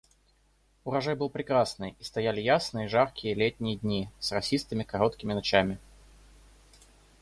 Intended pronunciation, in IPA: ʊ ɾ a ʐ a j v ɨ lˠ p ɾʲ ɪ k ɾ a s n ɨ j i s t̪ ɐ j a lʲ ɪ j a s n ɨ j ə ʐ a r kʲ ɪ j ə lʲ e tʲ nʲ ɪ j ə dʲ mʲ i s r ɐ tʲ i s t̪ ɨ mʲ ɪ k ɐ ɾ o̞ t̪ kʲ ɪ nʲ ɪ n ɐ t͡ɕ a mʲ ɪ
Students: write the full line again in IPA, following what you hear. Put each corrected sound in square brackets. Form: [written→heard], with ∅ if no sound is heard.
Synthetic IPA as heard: ʊ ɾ [a→ɐ] ʐ a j [v→b] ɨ lˠ p ɾʲ ɪ k ɾ a s n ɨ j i s t̪ ɐ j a lʲ ɪ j a s n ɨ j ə ʐ a r kʲ ɪ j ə lʲ e tʲ nʲ ɪ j ə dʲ [mʲ→nʲ] i s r ɐ [tʲ→sʲ] i s t̪ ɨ mʲ ɪ k ɐ ɾ o̞ t̪ kʲ ɪ [nʲ→mʲ] ɪ n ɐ t͡ɕ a mʲ ɪ